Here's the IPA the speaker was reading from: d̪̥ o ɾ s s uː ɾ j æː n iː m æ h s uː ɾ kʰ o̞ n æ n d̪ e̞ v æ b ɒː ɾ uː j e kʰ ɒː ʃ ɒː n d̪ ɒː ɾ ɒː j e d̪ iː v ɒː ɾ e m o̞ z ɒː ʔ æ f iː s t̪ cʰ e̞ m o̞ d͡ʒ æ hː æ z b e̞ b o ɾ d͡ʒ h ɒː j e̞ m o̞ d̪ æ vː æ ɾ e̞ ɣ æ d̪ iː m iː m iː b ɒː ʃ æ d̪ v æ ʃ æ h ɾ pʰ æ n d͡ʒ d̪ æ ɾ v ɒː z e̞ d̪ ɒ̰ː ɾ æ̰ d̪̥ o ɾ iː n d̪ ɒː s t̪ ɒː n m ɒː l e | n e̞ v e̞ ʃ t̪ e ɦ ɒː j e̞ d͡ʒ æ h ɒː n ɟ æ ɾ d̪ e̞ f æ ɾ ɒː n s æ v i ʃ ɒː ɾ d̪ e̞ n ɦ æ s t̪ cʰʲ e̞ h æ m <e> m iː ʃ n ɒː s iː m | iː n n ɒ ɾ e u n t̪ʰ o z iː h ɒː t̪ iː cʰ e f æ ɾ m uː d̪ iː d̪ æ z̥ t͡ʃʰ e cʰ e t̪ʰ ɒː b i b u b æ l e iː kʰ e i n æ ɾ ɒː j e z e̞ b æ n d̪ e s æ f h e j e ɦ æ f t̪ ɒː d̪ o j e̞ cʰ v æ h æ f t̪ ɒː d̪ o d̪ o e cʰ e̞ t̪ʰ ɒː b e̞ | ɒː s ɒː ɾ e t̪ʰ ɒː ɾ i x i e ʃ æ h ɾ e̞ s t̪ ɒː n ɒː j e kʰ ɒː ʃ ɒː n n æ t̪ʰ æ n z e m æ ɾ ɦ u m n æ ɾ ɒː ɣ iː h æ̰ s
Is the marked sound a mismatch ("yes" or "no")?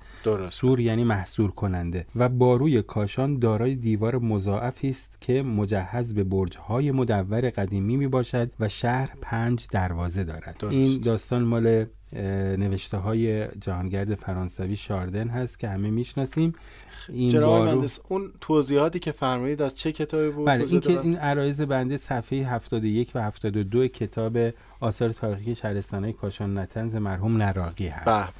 no